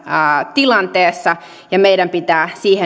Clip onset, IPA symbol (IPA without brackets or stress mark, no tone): t̪